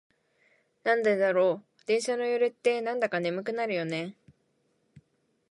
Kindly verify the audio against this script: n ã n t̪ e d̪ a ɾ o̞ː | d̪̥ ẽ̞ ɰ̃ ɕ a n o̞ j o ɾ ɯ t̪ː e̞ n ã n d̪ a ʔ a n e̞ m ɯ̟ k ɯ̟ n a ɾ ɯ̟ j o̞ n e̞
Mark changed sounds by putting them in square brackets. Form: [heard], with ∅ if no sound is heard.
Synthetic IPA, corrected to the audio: n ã n [d̪] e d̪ a ɾ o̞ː | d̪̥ ẽ̞ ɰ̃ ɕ a n o̞ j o ɾ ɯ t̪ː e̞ n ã n d̪ a [k] a n e̞ m ɯ̟ k ɯ̟ n a ɾ ɯ̟ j o̞ n e̞